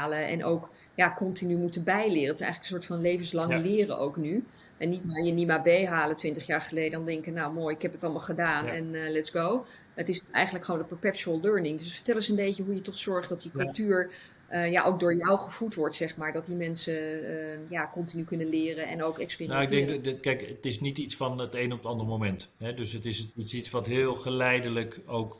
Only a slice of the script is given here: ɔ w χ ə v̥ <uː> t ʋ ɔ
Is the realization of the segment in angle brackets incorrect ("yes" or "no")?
yes